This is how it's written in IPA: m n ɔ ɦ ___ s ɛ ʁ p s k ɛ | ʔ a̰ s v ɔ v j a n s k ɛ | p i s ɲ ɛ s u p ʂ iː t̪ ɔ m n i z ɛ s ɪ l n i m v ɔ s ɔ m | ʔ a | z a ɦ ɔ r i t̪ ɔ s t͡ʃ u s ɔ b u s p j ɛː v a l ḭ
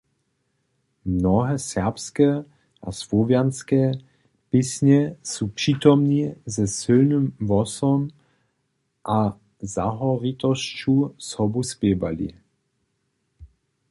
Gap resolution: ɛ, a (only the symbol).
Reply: ɛ